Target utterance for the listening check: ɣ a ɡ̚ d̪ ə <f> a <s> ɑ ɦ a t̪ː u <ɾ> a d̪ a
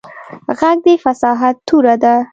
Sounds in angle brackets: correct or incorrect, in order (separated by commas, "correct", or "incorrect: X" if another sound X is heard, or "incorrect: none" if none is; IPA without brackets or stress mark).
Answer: correct, correct, correct